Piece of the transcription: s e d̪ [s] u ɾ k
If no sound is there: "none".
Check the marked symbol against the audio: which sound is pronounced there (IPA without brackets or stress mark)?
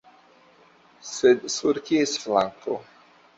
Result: s